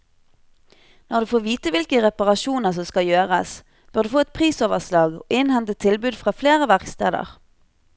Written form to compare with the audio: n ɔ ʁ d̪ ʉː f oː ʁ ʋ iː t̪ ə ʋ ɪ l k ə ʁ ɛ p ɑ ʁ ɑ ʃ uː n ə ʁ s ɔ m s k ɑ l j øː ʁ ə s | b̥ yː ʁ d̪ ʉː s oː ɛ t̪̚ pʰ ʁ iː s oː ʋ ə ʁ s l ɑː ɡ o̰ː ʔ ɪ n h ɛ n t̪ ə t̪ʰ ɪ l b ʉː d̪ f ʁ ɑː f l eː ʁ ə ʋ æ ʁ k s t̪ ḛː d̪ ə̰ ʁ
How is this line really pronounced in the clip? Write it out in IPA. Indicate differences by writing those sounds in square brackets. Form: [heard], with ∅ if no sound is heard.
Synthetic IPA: n ɔ ʁ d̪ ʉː f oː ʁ ʋ iː t̪ ə ʋ ɪ l k ə ʁ ɛ p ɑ ʁ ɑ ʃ uː n ə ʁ s ɔ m s k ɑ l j øː ʁ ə s | b̥ [øː] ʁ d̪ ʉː [f] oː ɛ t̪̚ pʰ ʁ iː s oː ʋ ə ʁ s l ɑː ɡ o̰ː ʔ ɪ n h ɛ n t̪ ə t̪ʰ ɪ l b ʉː d̪ f ʁ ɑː f l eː ʁ ə ʋ æ ʁ k s t̪ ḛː d̪ ə̰ ʁ